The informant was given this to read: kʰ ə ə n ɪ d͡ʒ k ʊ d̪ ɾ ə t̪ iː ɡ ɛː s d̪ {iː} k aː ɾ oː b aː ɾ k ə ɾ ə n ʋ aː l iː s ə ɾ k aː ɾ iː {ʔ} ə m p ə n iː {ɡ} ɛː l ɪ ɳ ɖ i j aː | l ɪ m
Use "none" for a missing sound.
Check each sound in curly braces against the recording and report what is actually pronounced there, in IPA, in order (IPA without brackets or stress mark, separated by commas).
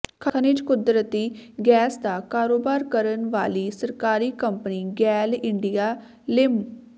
aː, k, ɡ